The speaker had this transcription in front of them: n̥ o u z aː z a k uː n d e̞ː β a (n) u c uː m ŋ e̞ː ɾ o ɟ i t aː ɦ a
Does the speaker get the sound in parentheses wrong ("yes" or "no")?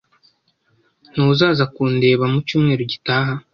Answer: yes